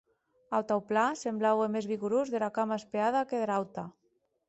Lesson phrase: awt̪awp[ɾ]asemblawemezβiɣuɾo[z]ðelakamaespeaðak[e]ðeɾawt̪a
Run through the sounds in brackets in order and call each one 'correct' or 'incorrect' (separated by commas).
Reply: incorrect, correct, correct